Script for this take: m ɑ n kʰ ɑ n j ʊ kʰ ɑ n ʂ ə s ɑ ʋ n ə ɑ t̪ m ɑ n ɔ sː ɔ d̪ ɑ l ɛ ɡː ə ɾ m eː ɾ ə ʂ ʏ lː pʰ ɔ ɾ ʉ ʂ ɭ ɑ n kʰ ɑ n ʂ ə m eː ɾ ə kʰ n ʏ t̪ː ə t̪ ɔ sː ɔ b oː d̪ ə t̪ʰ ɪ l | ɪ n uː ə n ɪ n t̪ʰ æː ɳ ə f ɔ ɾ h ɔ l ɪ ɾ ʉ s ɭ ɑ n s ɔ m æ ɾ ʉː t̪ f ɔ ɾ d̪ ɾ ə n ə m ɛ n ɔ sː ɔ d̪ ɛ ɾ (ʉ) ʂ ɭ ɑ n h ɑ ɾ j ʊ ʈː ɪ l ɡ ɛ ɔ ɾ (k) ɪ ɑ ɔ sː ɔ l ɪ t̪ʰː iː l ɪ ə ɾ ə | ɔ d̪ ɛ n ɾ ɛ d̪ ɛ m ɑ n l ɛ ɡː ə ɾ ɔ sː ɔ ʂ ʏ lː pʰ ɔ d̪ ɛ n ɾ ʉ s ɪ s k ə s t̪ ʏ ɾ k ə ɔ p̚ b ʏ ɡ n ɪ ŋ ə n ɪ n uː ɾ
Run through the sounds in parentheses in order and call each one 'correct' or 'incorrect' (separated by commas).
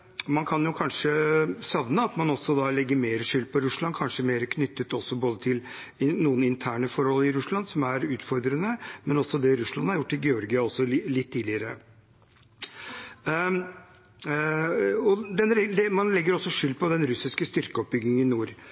correct, incorrect